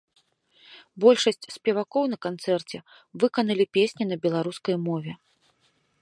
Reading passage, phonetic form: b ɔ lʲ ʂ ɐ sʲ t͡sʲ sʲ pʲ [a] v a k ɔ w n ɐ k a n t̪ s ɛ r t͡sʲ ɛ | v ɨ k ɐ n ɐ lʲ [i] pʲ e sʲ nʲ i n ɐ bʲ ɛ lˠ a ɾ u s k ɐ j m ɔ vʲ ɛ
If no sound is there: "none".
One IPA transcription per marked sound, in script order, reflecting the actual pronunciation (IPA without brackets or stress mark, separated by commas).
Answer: ɛ, i